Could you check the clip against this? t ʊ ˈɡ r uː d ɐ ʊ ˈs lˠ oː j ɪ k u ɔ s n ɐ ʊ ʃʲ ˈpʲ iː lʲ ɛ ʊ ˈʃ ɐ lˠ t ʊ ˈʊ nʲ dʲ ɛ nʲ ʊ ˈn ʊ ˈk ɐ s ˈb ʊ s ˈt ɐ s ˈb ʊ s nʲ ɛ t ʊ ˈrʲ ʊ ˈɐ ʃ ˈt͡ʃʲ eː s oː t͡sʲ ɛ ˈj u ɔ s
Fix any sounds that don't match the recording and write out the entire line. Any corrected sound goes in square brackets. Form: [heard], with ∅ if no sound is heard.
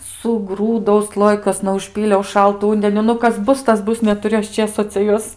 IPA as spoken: [s] ʊ ˈɡ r uː d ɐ ʊ ˈs lˠ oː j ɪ k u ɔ s n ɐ ʊ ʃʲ ˈpʲ iː lʲ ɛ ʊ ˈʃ ɐ lˠ t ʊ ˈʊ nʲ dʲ ɛ nʲ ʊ ˈn ʊ ˈk ɐ s ˈb ʊ s ˈt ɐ s ˈb ʊ s nʲ ɛ t ʊ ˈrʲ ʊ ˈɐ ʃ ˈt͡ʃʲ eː s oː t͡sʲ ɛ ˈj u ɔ s